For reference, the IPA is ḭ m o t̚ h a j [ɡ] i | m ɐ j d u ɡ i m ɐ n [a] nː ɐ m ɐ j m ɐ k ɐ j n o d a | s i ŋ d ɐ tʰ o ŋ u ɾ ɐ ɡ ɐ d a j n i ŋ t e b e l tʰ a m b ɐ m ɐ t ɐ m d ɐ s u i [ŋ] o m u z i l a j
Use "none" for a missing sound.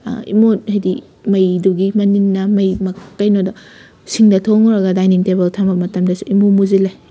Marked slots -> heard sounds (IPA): d, i, m

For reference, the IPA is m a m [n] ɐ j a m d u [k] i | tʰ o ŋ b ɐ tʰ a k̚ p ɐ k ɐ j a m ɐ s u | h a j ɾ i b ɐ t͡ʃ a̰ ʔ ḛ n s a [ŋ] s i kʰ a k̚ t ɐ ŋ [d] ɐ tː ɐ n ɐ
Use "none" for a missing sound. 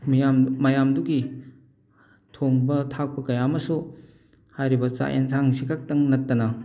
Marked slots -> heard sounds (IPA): m, ɡ, ŋ, n

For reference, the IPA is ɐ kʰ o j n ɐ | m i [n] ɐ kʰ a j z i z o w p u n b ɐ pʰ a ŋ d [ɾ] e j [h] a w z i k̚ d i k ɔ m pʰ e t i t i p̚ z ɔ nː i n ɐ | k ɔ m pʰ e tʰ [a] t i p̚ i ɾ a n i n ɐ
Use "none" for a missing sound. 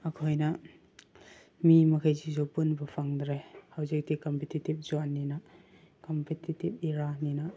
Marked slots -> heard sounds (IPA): m, ɾ, h, i

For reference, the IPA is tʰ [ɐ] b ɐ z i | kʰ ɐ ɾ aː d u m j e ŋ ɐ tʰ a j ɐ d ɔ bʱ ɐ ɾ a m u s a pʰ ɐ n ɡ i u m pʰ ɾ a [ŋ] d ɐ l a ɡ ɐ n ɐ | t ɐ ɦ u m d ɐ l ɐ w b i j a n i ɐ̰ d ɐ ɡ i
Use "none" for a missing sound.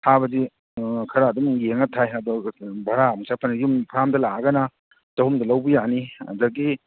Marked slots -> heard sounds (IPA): a, m

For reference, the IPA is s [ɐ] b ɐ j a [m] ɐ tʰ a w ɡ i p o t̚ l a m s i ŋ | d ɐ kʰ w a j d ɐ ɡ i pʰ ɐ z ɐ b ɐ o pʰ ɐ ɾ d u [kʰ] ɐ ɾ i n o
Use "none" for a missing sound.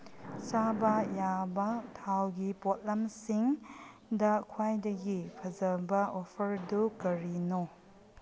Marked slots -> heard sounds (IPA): a, b, k

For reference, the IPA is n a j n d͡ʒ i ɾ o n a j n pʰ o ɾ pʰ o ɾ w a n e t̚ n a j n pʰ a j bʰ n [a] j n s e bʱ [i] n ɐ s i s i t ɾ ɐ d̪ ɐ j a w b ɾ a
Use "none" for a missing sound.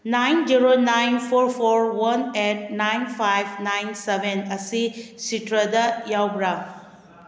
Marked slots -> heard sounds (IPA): a, e

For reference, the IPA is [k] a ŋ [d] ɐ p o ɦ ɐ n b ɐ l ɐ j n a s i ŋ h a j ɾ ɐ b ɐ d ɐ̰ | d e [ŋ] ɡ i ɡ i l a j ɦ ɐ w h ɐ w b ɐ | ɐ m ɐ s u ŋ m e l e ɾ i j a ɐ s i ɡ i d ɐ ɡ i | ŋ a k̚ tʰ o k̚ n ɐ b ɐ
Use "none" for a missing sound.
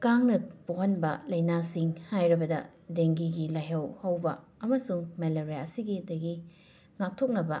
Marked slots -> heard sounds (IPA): k, n, ŋ

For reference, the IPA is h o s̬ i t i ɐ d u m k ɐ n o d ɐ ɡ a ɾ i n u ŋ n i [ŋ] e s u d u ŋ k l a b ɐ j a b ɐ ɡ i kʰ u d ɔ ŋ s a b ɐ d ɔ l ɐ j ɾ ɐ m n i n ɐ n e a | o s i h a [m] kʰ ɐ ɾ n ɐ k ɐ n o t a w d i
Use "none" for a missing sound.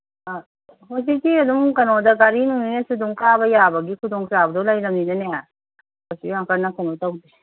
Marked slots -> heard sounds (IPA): n, ŋ

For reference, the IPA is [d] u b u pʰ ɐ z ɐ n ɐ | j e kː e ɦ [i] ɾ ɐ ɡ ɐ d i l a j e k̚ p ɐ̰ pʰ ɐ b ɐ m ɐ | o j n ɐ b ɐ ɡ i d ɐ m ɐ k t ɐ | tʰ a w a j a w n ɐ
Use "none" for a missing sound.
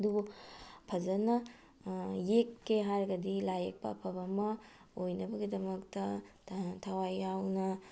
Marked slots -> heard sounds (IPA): d, a

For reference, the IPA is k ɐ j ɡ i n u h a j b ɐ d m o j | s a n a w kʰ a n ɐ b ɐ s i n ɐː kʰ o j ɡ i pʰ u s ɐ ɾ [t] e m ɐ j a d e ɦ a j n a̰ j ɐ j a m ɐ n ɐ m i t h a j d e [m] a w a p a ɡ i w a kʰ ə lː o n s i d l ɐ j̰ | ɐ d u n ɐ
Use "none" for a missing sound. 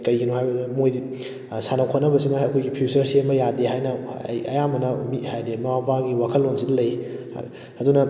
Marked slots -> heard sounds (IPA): s, m

